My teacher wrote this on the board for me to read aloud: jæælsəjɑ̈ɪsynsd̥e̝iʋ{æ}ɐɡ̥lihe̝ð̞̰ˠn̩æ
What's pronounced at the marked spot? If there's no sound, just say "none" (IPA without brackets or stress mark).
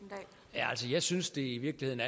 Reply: i